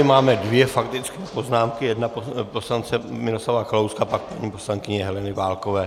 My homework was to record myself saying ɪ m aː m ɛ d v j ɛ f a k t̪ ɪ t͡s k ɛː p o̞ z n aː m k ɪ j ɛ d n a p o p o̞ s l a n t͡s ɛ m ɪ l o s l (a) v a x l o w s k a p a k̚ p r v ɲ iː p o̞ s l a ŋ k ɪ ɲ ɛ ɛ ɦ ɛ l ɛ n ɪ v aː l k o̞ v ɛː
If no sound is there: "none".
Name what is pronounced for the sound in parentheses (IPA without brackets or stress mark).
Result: a